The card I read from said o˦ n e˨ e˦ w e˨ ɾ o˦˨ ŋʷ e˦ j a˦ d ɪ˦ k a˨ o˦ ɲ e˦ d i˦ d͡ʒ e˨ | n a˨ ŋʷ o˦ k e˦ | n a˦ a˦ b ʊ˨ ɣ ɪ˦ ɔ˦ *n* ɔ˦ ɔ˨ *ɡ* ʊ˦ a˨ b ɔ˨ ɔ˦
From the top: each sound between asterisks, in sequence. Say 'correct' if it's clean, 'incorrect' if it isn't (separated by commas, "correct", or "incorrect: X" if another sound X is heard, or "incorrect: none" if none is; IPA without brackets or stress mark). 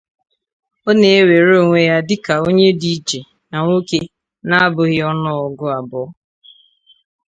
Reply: correct, correct